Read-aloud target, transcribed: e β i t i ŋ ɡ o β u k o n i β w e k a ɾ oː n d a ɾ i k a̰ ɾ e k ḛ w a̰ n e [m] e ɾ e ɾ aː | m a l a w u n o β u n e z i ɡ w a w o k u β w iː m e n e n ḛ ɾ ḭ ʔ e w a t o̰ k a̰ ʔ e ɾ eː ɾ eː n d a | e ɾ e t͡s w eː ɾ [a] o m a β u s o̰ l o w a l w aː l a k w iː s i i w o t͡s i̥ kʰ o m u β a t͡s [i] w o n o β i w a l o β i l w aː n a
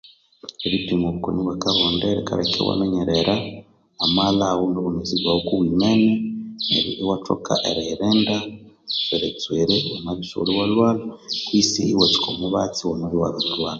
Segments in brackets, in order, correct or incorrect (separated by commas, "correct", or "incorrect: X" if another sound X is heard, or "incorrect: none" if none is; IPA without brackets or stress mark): incorrect: ɲ, incorrect: e, correct